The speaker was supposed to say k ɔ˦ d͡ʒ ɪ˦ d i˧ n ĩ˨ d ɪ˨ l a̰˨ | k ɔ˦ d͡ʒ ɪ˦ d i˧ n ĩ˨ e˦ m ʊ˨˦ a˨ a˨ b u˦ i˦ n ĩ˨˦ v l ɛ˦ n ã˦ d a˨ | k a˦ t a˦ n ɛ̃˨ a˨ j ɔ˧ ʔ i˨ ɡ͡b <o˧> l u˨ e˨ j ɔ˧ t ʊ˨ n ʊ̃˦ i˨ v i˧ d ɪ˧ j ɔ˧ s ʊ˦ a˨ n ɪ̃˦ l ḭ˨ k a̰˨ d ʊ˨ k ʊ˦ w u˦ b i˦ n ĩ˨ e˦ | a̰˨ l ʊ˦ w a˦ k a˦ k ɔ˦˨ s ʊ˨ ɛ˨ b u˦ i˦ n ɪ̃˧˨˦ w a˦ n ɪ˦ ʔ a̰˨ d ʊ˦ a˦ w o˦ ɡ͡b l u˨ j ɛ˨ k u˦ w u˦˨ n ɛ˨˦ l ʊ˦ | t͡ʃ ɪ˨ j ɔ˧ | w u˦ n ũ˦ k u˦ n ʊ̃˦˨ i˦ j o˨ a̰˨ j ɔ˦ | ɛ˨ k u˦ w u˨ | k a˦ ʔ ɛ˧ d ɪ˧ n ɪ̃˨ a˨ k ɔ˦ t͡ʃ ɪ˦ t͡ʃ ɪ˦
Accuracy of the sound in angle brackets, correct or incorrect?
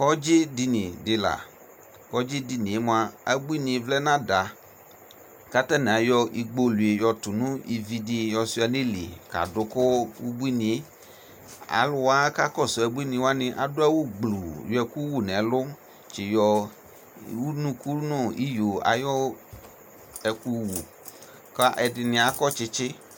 correct